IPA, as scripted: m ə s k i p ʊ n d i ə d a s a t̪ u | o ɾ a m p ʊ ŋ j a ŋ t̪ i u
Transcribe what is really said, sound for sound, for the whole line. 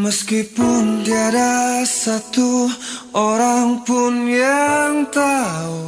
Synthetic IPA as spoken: m ə s k i p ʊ n d i a d a s a t̪ u | o ɾ a ŋ p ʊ n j a ŋ t̪ a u